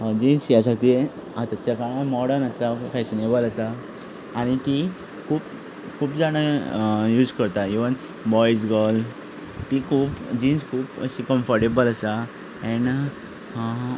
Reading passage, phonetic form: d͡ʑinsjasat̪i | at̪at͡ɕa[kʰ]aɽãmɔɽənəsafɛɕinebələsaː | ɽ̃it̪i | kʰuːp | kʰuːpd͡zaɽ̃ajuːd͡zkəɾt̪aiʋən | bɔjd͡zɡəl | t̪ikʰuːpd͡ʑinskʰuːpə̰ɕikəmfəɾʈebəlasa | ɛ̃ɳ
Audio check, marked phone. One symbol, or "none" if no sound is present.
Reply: k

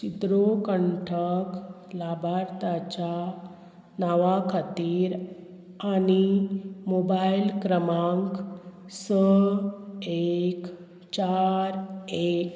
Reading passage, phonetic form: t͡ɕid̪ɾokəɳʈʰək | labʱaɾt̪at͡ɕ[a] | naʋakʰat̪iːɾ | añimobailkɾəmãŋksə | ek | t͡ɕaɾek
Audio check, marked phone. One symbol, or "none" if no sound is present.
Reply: a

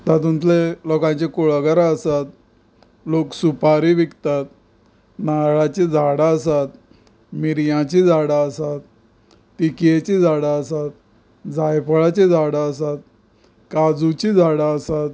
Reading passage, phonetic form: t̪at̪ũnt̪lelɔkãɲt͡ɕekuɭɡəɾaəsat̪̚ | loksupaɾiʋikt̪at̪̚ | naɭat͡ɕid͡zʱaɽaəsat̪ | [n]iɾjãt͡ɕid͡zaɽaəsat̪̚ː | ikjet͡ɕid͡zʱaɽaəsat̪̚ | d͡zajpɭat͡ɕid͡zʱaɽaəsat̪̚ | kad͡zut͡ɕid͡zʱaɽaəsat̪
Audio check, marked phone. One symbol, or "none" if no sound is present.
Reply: m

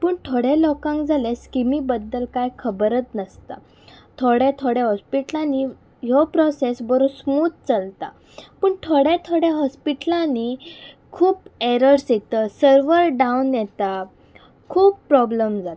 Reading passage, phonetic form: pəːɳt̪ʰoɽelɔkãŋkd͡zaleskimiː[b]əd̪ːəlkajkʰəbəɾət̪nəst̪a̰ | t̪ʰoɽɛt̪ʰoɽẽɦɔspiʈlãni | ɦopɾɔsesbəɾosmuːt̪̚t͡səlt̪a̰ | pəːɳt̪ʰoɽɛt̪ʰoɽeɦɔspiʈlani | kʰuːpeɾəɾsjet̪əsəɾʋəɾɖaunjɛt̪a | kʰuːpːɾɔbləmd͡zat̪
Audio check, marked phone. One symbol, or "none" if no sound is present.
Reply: b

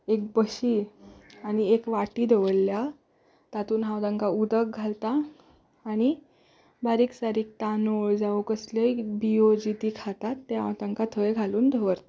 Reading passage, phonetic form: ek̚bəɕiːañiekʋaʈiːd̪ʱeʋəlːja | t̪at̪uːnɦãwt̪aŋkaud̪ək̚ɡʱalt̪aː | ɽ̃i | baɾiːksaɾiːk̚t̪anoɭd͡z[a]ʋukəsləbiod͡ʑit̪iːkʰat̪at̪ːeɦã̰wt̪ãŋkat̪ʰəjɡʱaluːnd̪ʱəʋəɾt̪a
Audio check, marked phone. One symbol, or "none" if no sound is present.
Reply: a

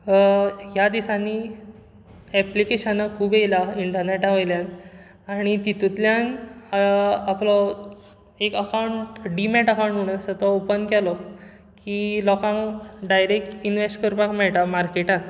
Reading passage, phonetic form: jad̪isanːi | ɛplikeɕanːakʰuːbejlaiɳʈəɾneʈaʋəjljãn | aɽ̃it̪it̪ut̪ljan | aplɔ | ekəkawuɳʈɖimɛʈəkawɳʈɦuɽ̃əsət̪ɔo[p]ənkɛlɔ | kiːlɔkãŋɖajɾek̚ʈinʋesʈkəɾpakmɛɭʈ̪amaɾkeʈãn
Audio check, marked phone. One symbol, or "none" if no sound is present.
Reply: p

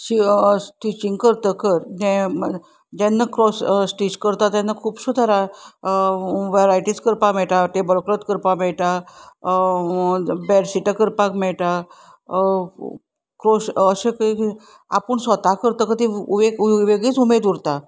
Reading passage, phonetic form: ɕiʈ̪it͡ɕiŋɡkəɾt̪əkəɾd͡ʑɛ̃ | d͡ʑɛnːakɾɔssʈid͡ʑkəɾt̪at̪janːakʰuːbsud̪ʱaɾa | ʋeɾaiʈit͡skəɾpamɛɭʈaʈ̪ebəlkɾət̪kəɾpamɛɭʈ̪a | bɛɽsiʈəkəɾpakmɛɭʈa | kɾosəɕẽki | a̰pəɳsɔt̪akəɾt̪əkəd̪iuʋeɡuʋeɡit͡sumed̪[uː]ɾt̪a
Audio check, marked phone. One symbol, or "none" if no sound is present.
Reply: u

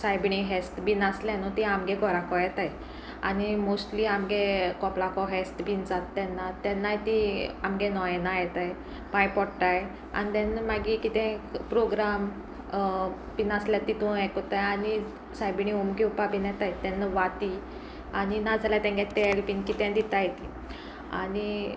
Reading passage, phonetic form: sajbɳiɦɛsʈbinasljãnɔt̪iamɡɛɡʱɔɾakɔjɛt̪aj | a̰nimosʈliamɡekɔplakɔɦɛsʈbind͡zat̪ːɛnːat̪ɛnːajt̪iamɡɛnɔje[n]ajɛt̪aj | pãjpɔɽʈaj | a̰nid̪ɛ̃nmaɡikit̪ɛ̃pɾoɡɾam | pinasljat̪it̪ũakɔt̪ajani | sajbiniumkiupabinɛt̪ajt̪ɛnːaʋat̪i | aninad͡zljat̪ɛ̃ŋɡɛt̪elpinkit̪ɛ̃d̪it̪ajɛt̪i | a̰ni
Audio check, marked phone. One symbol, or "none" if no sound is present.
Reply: n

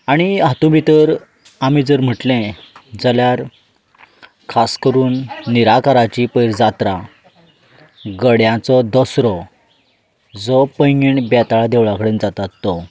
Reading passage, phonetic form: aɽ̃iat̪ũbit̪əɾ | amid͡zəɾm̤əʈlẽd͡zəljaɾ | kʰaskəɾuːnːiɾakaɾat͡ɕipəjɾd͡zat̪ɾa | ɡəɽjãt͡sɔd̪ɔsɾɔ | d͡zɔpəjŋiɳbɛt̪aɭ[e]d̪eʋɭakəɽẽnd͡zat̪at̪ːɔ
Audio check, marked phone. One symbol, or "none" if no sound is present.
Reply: a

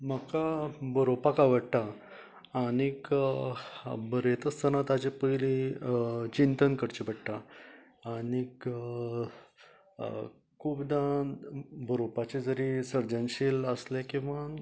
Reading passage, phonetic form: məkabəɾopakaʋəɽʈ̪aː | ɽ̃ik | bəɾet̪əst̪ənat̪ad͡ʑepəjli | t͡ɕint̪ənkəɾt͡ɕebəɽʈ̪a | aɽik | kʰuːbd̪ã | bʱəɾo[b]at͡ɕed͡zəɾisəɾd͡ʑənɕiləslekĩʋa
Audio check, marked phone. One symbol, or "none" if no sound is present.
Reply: p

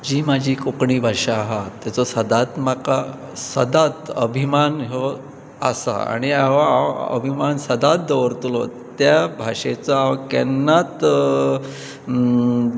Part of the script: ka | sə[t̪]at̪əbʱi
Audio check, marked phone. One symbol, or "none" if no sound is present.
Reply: d̪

